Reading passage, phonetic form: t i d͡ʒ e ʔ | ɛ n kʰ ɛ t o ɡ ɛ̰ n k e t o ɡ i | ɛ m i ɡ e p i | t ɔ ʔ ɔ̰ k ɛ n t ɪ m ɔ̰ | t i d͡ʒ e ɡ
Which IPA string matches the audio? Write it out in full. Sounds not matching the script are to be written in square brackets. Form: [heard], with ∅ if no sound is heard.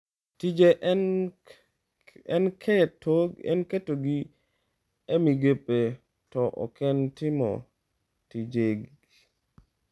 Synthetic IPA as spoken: t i d͡ʒ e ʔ | ɛ n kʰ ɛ t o ɡ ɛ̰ n k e t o ɡ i | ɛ m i ɡ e p [e] | t ɔ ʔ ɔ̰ k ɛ n t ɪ m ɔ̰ | t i d͡ʒ e ɡ